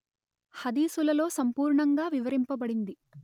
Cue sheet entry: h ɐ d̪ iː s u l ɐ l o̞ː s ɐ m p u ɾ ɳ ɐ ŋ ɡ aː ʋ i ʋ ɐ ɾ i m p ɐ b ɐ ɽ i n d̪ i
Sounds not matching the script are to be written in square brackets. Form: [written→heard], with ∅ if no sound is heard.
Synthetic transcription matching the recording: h ɐ d̪ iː s u l ɐ l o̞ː s ɐ m p [u→uː] ɾ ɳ ɐ ŋ ɡ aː ʋ i ʋ ɐ ɾ i m p ɐ b ɐ ɽ i n d̪ i